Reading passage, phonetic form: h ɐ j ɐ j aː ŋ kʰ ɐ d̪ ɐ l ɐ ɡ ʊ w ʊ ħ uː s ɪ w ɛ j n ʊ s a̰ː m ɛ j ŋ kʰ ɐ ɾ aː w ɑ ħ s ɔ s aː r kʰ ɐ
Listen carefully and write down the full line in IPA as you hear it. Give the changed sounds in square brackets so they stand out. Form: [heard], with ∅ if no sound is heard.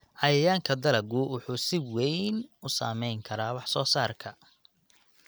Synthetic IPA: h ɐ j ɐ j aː ŋ kʰ ɐ d̪ ɐ l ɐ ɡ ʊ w ʊ ħ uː s ɪ w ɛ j n ʊ s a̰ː m ɛ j ŋ kʰ ɐ ɾ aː w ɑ ħ s [ɔː] s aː r kʰ ɐ